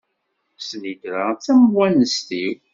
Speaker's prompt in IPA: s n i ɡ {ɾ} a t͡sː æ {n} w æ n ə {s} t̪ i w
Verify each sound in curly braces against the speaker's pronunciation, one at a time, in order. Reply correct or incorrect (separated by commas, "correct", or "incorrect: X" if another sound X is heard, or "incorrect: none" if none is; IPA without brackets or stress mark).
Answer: correct, incorrect: m, correct